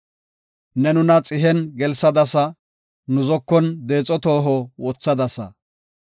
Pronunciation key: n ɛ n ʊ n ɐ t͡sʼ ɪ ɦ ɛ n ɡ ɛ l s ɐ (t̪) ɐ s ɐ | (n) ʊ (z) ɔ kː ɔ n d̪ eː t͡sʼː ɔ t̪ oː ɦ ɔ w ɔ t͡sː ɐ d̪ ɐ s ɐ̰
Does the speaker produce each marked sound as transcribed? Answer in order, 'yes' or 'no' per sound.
no, yes, yes

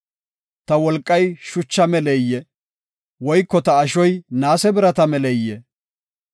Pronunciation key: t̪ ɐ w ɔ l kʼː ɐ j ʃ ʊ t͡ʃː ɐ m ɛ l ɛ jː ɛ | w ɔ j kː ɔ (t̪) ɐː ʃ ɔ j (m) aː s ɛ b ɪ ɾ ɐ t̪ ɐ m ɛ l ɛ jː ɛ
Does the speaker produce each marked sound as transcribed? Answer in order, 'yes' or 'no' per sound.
yes, no

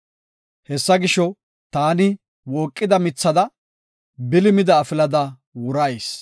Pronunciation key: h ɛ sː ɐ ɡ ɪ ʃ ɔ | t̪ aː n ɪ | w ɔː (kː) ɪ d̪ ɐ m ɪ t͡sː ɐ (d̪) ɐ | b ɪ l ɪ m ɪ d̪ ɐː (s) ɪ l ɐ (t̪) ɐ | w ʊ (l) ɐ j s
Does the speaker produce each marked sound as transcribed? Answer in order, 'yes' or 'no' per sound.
no, yes, no, no, no

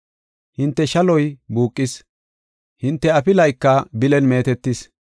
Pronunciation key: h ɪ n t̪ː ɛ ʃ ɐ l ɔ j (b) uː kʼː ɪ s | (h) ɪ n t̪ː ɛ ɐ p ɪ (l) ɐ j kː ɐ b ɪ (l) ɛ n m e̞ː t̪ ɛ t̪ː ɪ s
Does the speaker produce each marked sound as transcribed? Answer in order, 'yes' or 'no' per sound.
yes, yes, yes, yes

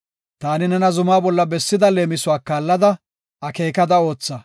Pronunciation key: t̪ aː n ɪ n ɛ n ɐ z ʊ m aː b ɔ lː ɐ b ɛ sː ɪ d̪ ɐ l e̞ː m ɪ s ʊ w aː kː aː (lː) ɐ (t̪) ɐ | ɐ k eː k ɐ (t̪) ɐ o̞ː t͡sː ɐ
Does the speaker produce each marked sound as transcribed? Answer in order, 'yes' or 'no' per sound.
yes, no, no

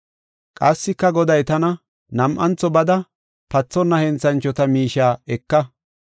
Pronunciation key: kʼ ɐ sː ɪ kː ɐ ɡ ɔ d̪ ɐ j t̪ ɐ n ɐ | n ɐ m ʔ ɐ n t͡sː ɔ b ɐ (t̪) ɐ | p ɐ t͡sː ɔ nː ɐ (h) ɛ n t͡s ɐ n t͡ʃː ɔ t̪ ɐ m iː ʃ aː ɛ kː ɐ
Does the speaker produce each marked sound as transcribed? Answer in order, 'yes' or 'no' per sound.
no, yes

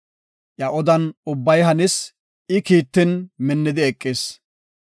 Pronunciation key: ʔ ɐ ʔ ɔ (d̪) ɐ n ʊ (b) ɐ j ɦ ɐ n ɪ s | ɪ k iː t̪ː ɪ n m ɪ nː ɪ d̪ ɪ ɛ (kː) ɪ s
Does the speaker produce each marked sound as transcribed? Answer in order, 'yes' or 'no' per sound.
yes, no, no

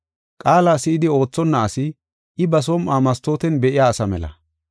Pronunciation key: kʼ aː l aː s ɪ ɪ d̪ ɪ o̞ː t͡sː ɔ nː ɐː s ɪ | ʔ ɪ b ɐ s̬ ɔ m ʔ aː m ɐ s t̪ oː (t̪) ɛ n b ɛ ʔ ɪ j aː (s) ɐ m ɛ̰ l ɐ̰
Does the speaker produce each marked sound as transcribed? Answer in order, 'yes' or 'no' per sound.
yes, yes

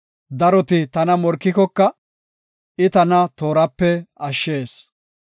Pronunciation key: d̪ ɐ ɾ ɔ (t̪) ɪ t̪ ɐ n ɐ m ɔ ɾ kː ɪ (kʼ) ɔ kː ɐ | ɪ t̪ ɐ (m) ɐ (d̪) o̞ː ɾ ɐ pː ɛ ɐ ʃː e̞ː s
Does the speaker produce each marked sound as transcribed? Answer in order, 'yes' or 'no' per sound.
yes, no, no, no

